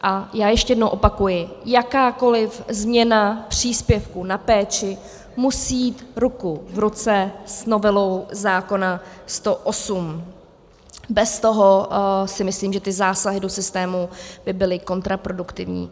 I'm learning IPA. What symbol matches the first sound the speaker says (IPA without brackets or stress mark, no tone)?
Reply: ʔ